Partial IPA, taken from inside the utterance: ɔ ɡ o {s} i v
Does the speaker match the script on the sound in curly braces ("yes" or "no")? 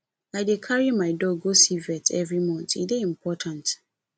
yes